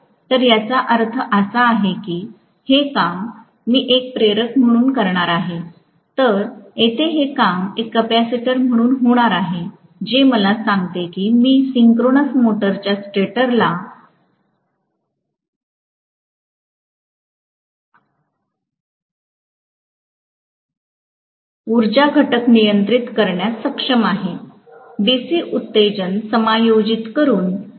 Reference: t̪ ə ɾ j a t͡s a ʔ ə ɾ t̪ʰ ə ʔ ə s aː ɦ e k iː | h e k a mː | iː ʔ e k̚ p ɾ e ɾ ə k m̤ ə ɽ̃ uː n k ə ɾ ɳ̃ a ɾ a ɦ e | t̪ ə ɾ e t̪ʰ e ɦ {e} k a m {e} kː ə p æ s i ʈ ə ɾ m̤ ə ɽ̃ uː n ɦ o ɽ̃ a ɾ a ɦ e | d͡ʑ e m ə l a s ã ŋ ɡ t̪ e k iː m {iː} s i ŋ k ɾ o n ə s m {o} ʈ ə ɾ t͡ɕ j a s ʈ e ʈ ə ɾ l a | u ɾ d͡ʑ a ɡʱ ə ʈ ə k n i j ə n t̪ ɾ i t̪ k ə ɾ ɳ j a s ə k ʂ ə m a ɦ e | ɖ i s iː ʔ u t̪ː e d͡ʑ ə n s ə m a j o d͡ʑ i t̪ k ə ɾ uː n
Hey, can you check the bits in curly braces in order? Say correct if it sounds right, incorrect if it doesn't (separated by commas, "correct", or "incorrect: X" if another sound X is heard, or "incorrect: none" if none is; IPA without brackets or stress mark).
correct, correct, correct, correct